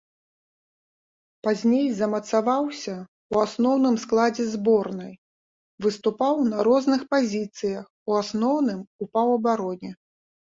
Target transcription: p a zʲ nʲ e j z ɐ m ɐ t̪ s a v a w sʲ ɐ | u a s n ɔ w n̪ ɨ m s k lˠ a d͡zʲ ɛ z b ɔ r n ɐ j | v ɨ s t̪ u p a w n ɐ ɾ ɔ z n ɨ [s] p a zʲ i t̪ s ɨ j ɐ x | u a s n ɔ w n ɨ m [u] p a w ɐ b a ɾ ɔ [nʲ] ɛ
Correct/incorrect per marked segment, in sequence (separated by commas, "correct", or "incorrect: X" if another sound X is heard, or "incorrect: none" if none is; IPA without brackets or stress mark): incorrect: x, correct, correct